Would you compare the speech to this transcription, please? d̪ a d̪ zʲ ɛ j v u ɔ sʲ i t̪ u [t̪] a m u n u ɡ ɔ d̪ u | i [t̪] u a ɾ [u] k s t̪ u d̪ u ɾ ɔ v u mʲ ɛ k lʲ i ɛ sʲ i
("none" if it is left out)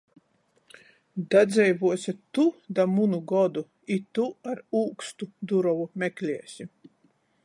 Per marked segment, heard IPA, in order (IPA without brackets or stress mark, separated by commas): d̪, t̪, uː